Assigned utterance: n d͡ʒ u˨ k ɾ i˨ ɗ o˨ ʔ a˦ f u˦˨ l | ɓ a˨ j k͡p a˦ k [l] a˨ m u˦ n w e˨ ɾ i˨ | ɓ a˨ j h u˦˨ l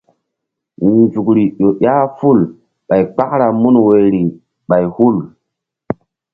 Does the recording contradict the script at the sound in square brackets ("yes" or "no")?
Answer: yes